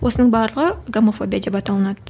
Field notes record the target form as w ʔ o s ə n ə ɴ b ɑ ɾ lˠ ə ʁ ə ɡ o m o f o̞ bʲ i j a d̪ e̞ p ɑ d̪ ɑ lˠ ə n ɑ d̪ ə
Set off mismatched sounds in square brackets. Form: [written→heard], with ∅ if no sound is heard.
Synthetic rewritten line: w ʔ o s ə n ə ɴ b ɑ ɾ lˠ ə ʁ ə ɡ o m o f o̞ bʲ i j a d̪ e̞ p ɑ [d̪→t̪] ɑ lˠ ə n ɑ d̪ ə